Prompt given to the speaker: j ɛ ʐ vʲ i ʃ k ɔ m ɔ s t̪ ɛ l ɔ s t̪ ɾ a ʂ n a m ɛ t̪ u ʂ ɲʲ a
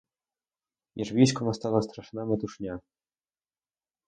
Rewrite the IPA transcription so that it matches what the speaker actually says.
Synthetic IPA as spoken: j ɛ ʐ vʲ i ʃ k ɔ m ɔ s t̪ a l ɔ s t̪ ɾ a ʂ n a m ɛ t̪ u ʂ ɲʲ a